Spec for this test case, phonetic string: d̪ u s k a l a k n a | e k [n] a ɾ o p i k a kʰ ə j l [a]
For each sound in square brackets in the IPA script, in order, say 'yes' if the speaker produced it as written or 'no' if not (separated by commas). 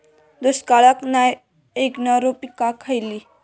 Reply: yes, no